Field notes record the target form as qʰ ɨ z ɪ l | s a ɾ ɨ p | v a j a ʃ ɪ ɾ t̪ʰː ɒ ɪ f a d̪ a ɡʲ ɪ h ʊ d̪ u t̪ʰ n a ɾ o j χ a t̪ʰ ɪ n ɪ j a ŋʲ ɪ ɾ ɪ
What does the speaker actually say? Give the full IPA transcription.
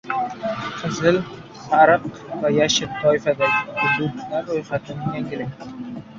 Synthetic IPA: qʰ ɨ z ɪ l | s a ɾ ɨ q | v a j a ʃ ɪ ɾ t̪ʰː ɒ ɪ f a d̪ a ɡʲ ɪ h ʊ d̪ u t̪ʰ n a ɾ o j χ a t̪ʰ ɪ n ɪ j a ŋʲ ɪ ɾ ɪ